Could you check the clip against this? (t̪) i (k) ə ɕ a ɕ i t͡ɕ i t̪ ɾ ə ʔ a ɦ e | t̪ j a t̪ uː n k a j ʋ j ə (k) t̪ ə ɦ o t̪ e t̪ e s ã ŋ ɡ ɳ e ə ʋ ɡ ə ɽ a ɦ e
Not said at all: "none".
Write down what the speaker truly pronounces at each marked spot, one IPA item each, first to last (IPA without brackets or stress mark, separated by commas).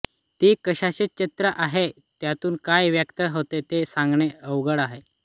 t̪, k, k